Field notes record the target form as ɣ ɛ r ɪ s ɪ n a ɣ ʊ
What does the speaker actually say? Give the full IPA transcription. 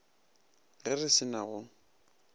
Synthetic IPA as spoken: ɣ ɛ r ɪ s ɪ n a ɣ ʊ

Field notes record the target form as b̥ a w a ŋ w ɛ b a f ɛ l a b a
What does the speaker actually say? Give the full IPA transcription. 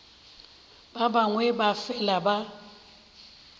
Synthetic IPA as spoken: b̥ a b a ŋ w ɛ b a f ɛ l a b a

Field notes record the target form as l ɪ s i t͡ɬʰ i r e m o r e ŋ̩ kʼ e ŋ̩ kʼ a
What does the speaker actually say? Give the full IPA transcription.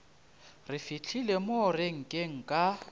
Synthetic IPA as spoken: r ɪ f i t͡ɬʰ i l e m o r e ŋ̩ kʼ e ŋ̩ kʼ a

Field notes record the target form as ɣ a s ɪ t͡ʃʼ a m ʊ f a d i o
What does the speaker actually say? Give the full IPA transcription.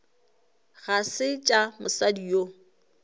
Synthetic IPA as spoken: ɣ a s ɪ t͡ʃʼ a m ʊ s a d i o

